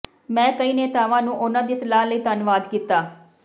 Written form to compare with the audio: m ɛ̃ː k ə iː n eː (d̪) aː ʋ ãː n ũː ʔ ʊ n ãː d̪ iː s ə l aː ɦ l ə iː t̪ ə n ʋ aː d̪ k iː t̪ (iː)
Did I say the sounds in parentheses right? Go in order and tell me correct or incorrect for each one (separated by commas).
incorrect, incorrect